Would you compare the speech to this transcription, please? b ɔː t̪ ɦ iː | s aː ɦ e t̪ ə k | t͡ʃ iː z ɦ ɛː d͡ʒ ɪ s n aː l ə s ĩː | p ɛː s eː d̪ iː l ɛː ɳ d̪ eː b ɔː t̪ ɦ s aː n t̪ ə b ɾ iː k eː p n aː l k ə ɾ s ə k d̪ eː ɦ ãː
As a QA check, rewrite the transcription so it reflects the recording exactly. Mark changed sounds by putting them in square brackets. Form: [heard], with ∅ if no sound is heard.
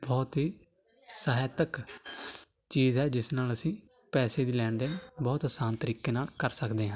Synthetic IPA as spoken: b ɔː t̪ ɦ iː | s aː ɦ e t̪ ə k | t͡ʃ iː z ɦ ɛː d͡ʒ ɪ s n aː l ə s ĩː | p ɛː s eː d̪ iː l ɛː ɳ d̪ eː b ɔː t̪ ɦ s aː n t̪ ə [∅] ɾ iː k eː [∅] n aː l k ə ɾ s ə k d̪ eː ɦ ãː